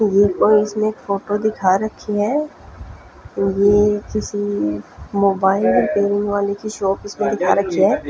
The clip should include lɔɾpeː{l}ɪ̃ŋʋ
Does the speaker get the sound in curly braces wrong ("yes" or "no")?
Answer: yes